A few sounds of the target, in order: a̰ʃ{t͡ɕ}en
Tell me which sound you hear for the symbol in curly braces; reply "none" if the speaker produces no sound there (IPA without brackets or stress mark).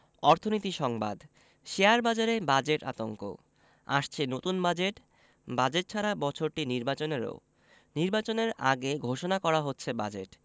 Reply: t͡ɕʰ